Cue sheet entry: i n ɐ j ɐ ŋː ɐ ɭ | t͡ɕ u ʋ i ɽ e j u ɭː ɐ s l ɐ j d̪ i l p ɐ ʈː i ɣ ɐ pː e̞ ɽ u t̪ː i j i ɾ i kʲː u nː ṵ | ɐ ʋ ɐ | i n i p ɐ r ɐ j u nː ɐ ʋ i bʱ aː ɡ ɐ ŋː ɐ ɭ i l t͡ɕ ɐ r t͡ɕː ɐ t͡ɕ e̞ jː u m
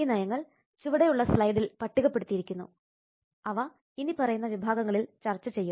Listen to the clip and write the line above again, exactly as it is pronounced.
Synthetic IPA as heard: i n ɐ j ɐ ŋː ɐ ɭ | t͡ɕ u ʋ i ɽ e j u ɭː ɐ s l ɐ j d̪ i l p ɐ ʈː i ɣ ɐ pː e̞ ɽ u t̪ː i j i ɾ i kʲː u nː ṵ | ɐ ʋ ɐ | i n i p ɐ r ɐ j u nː ɐ ʋ i bʱ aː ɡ ɐ ŋː ɐ ɭ i l t͡ɕ ɐ r t͡ɕː ɐ t͡ɕ e̞ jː u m